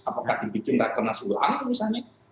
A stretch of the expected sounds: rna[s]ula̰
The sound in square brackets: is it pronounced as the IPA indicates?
yes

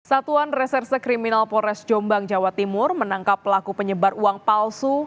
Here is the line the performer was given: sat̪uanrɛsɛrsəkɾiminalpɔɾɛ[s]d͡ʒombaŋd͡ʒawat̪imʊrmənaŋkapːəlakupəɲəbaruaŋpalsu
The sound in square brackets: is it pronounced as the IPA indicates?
yes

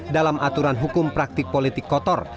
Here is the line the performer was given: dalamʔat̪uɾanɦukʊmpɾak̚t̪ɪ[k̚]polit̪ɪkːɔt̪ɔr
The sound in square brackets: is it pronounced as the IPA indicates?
yes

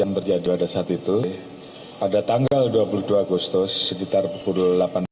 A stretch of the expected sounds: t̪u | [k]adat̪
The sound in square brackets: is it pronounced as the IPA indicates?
no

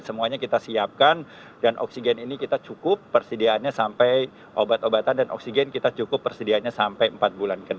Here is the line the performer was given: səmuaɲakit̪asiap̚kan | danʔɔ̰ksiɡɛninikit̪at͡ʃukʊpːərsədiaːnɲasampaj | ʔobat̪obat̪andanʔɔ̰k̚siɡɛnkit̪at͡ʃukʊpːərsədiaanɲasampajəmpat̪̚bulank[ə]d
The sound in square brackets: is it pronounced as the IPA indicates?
yes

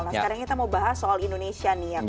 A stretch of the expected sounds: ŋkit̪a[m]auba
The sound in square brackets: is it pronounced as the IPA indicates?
yes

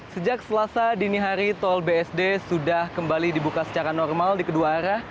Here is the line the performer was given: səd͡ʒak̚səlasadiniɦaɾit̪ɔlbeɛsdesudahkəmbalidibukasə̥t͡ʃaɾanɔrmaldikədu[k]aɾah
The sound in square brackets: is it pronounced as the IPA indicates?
no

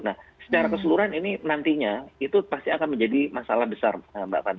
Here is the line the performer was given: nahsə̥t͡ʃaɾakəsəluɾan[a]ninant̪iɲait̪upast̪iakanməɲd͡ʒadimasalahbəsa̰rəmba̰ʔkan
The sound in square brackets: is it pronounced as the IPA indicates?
no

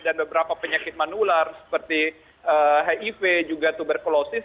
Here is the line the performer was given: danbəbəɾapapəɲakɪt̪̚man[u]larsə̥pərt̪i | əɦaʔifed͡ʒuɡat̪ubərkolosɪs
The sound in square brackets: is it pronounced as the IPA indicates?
yes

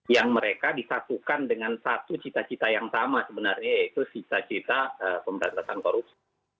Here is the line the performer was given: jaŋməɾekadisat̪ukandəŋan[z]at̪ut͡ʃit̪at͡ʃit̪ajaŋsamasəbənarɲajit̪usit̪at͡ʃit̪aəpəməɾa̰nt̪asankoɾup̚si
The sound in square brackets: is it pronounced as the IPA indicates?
no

